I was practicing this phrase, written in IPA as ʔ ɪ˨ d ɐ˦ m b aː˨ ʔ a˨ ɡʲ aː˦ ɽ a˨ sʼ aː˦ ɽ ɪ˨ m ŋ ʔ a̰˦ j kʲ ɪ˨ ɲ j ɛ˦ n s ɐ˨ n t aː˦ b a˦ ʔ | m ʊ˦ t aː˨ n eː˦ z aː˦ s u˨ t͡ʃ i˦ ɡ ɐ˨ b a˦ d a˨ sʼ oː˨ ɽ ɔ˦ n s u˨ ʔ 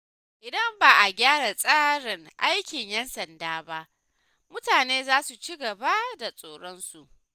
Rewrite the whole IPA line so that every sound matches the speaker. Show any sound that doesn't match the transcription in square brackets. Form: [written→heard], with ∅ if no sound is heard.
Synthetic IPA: ʔ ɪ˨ d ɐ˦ m b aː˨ ʔ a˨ ɡʲ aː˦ ɽ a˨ sʼ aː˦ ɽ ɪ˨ [m→∅] ŋ ʔ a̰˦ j kʲ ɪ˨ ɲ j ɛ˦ n s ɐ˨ n [t→d] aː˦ b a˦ ʔ | m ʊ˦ t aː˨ n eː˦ z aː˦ s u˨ t͡ʃ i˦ ɡ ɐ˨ b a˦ d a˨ sʼ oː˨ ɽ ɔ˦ n s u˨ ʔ